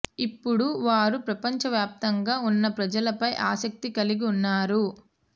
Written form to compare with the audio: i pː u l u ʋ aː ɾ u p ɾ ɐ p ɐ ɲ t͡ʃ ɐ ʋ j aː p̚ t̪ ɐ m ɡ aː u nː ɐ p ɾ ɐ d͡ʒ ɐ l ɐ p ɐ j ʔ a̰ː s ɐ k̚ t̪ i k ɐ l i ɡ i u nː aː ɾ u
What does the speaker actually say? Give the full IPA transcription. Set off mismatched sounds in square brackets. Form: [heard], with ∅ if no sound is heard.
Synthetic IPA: i pː u [ɽ] u ʋ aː ɾ u p ɾ ɐ p ɐ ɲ t͡ʃ ɐ ʋ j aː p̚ t̪ ɐ [ŋ] ɡ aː u nː ɐ p ɾ ɐ d͡ʒ ɐ l ɐ p ɐ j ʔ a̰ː s ɐ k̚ t̪ i k ɐ l i ɡ i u nː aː ɾ u